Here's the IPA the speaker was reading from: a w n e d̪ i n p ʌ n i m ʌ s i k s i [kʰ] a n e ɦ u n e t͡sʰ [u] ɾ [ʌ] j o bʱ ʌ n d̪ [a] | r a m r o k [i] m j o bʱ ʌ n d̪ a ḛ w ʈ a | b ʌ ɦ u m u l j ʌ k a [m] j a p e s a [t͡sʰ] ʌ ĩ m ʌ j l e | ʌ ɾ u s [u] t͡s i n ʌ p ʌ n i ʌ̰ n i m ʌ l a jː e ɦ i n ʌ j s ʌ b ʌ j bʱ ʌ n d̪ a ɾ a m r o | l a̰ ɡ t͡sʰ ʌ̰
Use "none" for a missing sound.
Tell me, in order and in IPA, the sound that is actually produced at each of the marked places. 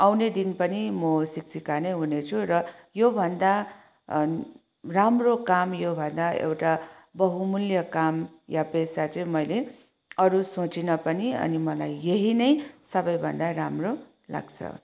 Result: k, u, ʌ, a, a, m, t͡s, o

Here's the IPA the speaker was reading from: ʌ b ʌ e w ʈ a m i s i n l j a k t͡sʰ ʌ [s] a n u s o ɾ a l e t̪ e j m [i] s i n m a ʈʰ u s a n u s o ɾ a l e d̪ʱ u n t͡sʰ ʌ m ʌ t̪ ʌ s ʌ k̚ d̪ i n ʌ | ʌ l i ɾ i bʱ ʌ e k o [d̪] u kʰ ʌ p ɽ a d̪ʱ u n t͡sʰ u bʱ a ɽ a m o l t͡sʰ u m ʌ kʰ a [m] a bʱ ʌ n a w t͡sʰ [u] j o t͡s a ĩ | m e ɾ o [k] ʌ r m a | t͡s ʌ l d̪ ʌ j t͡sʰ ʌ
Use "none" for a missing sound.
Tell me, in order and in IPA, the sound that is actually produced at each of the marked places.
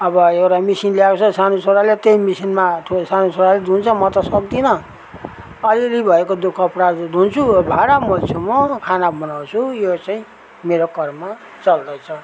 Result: s, i, d̪, n, u, k

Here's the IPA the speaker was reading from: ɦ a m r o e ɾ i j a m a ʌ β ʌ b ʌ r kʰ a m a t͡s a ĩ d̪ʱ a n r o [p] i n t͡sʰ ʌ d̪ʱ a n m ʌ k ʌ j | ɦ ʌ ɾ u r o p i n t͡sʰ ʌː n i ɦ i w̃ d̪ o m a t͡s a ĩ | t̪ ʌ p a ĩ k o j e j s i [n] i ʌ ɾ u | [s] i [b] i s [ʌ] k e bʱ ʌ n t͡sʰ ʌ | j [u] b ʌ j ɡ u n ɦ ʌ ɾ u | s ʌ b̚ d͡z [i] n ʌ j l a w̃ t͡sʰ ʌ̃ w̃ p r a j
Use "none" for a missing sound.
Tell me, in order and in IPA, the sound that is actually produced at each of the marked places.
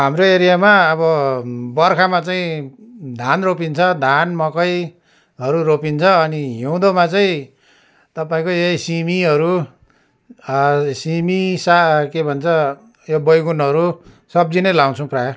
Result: p, m, s, m, a, o, i

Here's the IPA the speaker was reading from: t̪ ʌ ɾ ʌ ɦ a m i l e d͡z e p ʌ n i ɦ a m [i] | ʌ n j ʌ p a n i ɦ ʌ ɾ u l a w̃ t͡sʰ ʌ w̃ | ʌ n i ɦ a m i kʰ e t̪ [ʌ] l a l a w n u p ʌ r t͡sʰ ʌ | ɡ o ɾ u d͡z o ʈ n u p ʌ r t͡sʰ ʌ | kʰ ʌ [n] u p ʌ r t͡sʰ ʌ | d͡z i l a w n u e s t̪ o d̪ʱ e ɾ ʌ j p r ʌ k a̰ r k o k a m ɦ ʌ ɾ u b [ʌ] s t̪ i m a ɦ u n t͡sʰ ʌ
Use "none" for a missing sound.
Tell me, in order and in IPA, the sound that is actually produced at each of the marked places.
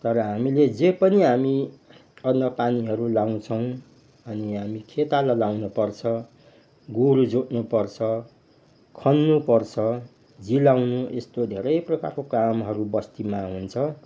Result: i, a, nː, ʌ

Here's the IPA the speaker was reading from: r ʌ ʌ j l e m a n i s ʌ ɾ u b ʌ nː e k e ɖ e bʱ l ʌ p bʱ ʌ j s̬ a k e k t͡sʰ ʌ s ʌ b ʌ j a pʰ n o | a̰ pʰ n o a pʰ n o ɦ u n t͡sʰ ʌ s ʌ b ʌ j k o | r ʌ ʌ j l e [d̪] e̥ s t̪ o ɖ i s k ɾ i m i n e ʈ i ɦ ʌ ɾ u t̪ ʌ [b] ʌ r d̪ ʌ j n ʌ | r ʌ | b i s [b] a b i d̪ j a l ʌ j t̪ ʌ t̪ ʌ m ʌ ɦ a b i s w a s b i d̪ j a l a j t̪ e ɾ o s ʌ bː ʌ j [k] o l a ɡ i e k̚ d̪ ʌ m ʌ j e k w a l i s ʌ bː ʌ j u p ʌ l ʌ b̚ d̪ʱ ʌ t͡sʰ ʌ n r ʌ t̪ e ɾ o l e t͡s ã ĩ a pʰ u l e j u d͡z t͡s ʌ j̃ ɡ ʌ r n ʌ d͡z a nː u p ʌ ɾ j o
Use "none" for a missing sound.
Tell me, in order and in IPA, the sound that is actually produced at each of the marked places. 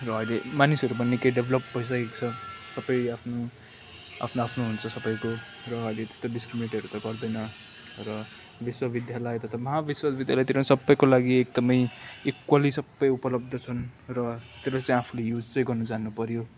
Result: t̪, ɡ, w, k

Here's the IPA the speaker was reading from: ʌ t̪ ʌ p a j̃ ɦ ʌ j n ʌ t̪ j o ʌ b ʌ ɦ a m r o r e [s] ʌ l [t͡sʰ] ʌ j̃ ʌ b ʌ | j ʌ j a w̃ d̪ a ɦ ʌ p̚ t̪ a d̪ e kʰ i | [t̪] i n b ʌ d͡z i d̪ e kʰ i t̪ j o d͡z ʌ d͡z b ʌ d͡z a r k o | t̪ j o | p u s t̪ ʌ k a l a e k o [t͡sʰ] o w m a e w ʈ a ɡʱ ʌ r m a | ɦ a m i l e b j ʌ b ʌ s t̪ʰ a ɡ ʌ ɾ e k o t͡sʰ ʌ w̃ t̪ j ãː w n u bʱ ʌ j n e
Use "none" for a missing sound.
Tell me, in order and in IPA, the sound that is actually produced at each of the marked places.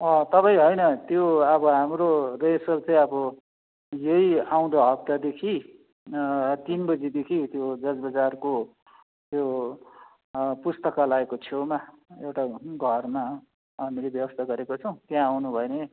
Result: s, t͡s, t̪, t͡sʰ

